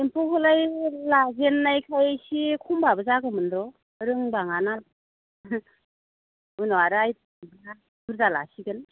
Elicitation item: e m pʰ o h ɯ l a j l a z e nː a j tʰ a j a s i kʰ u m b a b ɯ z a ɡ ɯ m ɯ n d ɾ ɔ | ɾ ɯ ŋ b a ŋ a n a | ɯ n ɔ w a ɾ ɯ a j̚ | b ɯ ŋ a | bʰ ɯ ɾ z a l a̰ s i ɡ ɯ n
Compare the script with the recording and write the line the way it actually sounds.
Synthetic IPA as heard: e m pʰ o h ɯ l a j l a z e nː a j kʰ a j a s i kʰ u m b a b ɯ z a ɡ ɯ m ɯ n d ɾ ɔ | ɾ ɯ ŋ b a ŋ a n a | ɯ n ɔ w a ɾ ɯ a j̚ | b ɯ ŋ a | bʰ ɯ ɾ z a l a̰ s i ɡ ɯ n